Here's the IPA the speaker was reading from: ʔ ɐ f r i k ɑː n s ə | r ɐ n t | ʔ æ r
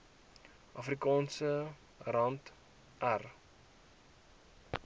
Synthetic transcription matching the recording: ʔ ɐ f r i k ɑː n s ə | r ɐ n t | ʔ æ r